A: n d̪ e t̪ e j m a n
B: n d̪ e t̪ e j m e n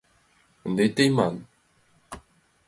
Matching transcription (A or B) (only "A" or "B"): A